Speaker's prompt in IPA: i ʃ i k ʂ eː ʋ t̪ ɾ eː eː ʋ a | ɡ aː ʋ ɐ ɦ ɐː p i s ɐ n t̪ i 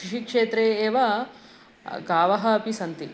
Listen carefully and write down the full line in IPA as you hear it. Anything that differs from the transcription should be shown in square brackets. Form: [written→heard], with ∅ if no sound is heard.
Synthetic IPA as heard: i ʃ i k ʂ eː [ʋ→∅] t̪ ɾ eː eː ʋ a | ɡ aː ʋ ɐ ɦ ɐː p i s ɐ n t̪ i